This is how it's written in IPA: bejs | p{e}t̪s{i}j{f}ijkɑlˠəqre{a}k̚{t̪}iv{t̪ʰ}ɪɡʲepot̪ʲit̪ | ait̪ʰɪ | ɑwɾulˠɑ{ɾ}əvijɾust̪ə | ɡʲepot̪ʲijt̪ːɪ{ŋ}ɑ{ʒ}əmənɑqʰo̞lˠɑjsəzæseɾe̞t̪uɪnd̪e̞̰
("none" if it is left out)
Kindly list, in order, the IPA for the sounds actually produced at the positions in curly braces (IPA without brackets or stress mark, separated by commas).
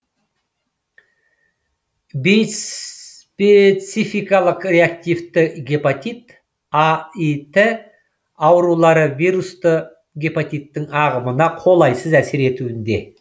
e, i, f, a, t̪, t̪, ɾ, ŋ, ʁ